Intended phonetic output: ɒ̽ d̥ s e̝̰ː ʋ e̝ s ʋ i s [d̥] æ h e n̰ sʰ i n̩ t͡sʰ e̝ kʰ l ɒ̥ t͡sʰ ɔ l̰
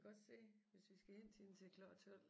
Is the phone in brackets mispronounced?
yes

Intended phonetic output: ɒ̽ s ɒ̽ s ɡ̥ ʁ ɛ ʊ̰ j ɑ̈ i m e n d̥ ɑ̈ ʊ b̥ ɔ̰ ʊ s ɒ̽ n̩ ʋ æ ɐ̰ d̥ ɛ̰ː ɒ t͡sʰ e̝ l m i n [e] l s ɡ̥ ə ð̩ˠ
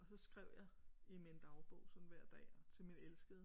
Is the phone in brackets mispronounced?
no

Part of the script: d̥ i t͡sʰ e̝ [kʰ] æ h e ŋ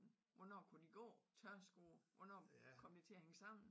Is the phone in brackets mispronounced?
yes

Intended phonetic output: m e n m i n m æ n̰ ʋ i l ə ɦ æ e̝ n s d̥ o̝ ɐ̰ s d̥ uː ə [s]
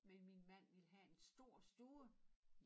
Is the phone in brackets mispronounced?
yes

